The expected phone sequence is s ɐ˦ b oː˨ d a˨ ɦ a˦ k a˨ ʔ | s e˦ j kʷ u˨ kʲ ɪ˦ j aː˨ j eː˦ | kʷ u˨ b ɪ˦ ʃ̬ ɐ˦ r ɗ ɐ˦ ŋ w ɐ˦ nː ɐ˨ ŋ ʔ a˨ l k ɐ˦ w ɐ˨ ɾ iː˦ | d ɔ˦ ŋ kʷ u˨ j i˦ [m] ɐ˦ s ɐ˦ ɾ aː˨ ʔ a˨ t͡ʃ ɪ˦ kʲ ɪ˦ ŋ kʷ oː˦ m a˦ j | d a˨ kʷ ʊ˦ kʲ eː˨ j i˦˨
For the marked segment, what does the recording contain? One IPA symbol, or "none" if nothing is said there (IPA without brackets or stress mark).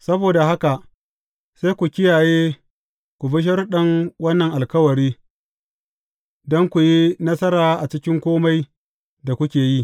n